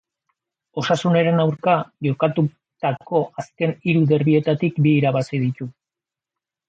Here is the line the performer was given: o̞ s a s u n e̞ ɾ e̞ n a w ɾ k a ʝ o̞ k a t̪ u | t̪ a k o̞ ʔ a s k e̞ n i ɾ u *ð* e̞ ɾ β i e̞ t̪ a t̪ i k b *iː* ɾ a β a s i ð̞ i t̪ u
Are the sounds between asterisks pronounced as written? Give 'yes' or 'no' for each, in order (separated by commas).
yes, yes